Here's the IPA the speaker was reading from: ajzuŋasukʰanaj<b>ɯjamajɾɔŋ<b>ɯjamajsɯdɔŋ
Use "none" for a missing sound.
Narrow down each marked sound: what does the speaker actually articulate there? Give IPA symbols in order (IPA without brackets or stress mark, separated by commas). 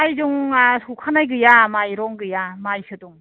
ɡ, ɡ